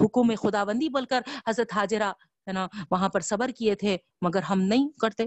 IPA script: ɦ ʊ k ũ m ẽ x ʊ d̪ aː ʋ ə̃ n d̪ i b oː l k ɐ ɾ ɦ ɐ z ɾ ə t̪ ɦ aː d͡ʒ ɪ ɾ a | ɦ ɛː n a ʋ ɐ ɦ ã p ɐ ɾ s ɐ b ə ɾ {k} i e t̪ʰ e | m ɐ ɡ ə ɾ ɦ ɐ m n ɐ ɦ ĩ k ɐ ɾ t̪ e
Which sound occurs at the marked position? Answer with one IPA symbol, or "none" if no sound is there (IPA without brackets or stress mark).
k